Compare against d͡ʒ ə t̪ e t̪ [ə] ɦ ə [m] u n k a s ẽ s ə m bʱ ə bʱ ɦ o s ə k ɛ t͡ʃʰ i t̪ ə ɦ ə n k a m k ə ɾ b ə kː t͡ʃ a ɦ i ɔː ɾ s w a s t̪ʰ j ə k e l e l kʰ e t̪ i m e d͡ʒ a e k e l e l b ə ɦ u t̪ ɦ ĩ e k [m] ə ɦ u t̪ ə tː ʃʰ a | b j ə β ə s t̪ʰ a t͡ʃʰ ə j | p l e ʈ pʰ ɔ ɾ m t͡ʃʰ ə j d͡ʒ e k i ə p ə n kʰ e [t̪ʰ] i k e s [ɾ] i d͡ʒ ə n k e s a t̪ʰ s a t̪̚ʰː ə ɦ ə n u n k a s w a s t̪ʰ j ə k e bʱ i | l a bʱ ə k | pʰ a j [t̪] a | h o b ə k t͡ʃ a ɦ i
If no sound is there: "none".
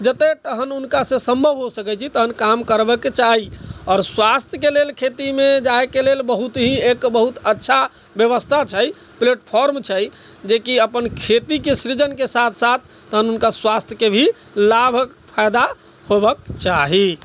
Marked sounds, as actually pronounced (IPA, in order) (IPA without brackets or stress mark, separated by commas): ə, n, b, t̪, ɾ, d̪